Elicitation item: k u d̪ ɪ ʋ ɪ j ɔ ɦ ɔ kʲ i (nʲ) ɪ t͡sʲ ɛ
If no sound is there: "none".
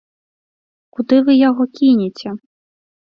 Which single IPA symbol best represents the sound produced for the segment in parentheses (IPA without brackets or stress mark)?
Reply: nʲ